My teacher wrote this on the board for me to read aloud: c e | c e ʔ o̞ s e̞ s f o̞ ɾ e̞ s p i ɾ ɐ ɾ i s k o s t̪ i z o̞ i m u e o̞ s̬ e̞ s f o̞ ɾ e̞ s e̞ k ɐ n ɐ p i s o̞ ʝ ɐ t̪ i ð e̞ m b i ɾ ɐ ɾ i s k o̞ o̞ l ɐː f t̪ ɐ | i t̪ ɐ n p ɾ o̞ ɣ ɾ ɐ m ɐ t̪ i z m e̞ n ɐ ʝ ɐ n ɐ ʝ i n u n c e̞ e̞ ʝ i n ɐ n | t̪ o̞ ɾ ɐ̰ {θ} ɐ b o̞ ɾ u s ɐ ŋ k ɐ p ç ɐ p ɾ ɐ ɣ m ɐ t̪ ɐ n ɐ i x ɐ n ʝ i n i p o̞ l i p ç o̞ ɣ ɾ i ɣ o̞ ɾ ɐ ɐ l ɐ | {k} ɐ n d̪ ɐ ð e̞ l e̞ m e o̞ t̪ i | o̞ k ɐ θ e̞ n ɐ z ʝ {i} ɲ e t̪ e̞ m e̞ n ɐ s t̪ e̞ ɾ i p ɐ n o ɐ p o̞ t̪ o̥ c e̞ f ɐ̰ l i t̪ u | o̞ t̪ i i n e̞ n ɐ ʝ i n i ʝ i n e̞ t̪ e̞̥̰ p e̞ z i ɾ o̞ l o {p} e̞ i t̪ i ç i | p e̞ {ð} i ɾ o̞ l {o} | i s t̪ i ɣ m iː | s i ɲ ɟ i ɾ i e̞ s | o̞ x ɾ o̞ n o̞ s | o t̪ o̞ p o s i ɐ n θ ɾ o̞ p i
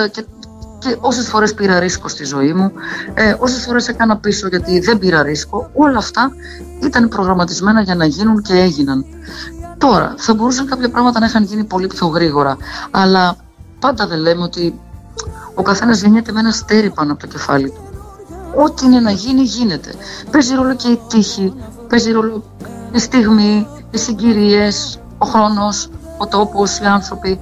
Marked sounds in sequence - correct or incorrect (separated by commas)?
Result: correct, incorrect, incorrect, incorrect, incorrect, correct